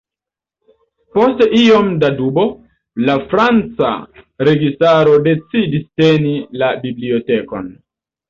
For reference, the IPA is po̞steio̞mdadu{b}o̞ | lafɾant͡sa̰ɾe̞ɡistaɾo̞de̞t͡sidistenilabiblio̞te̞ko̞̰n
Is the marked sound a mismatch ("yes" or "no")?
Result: no